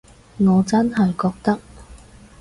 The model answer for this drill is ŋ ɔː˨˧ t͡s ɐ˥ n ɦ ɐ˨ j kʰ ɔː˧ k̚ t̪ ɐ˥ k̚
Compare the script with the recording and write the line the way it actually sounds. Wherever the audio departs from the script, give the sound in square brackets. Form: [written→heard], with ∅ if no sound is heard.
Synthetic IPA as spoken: ŋ ɔː˨˧ t͡s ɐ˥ n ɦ ɐ˨ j [kʰ→k] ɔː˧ k̚ t̪ ɐ˥ k̚